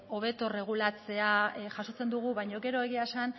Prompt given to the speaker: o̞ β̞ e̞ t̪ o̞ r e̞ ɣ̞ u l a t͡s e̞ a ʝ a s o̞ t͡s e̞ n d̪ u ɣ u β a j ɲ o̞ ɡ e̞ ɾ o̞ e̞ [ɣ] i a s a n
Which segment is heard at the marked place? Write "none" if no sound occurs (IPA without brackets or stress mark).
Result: ɣ